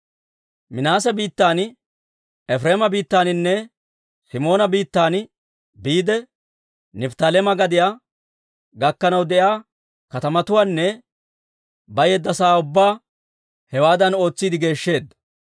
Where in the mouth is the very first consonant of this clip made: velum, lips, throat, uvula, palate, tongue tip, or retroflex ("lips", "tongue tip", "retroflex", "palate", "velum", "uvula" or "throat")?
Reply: lips